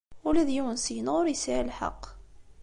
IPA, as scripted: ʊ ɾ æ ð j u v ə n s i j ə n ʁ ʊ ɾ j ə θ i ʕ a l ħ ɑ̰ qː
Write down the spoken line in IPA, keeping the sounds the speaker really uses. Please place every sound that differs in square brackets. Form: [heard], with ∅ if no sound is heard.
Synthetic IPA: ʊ [l] æ ð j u [w] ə n s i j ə n ʁ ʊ ɾ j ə [s] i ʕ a l ħ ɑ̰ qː